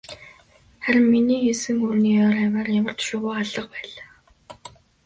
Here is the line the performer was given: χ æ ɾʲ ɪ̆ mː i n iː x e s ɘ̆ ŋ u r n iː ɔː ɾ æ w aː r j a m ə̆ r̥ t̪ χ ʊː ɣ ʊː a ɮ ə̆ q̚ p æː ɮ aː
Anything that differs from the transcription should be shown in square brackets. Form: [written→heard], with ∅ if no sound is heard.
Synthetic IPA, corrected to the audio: χ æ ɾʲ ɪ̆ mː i n iː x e s ɘ̆ ŋ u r n iː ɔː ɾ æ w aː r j a m ə̆ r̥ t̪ [χ→ʃ] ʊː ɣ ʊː a ɮ ə̆ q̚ p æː ɮ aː